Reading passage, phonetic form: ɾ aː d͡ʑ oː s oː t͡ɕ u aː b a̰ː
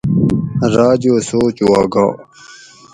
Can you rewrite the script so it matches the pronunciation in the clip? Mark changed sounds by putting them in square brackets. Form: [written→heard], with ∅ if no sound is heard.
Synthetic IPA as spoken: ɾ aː d͡ʑ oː s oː t͡ɕ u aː [b→ɡ] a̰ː